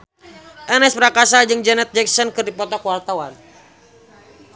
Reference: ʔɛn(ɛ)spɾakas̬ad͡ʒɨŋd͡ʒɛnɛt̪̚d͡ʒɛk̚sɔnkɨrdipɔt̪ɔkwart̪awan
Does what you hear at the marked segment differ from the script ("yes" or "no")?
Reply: no